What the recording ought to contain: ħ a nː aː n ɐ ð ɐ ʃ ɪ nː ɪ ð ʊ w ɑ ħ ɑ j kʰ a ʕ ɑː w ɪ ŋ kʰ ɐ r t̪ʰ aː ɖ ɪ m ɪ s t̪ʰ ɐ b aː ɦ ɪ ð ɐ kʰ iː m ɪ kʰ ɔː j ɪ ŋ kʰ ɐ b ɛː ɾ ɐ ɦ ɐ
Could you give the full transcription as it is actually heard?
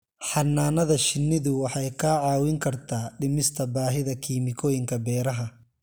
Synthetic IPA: ħ ɑ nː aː n ɐ ð ɐ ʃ ɪ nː ɪ ð ʊ w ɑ ħ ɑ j kʰ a ʕ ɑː w ɪ ŋ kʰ ɐ r t̪ʰ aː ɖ ɪ m ɪ s t̪ʰ ɐ b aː ɦ ɪ ð ɐ kʰ iː m ɪ kʰ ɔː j ɪ ŋ kʰ ɐ b ɛː ɾ ɐ ɦ ɐ